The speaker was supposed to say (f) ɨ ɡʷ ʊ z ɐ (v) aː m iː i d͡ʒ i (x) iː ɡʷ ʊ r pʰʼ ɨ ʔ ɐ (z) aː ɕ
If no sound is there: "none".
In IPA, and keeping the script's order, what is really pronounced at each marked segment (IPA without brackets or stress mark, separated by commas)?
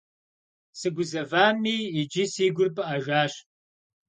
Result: s, v, s, ʒ